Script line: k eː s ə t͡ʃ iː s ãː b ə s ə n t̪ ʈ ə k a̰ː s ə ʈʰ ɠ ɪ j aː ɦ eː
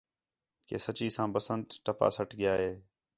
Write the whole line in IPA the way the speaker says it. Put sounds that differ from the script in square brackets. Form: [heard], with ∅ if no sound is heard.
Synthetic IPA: k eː s ə t͡ʃ iː s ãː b ə s ə n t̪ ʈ ə [p] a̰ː s ə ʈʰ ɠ ɪ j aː ɦ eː